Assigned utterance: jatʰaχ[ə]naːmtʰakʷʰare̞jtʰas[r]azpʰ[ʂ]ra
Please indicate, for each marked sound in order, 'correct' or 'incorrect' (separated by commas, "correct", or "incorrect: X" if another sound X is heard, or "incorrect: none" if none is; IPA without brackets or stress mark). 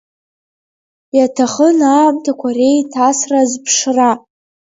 correct, correct, correct